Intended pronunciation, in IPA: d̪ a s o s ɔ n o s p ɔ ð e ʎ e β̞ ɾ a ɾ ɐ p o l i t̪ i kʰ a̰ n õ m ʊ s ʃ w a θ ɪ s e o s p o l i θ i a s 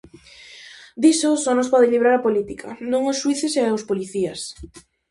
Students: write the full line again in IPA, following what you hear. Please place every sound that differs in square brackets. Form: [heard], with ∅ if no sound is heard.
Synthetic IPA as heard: d̪ [i] s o s ɔ n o s p ɔ ð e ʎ [i] β̞ ɾ a ɾ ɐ p o l i t̪ i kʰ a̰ n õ [ŋ] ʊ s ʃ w [i] θ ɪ s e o s p o l i θ i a s